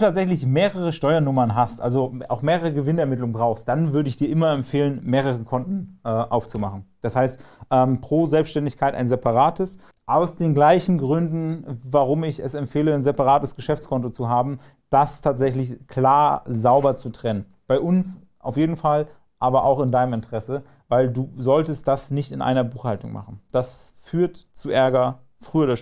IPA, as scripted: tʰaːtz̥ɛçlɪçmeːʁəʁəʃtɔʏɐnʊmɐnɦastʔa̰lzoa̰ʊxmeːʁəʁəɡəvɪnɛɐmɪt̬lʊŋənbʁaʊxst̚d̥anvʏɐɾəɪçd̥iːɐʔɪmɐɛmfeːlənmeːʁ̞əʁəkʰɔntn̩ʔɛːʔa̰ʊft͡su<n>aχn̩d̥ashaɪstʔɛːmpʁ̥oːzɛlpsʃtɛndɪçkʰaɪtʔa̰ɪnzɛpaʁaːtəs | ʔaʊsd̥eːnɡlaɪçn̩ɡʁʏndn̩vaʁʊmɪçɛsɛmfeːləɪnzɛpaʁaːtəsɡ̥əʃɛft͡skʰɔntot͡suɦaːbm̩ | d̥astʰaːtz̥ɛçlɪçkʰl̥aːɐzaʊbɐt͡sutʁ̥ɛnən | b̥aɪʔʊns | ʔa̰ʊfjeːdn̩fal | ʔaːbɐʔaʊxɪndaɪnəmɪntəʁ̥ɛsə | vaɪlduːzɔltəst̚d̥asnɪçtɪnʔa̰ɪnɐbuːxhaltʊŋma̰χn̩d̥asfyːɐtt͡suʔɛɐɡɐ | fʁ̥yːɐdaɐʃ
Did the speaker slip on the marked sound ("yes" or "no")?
yes